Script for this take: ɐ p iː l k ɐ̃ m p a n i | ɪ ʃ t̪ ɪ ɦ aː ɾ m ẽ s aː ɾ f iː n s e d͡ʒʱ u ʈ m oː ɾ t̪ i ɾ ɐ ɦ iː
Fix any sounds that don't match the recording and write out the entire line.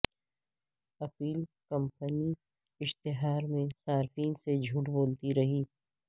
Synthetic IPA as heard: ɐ p iː l k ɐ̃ m p ə n i | ɪ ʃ t̪ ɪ ɦ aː ɾ m ẽ s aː ɾ f iː n s e d͡ʒʱ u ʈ b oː l t̪ i ɾ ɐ ɦ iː